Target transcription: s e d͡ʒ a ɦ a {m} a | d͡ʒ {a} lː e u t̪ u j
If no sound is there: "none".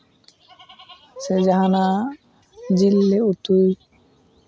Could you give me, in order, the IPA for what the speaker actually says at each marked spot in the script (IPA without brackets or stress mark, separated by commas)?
n, i